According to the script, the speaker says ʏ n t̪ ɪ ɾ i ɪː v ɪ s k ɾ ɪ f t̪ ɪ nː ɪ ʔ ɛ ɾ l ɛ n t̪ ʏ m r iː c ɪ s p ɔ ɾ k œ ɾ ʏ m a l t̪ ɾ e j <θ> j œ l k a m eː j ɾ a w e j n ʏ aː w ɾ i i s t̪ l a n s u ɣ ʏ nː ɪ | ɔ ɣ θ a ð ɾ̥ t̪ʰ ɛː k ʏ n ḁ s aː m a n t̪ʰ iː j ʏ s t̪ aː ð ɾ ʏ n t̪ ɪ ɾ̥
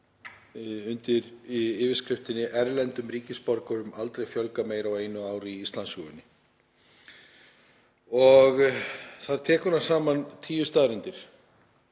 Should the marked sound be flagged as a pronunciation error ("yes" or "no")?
yes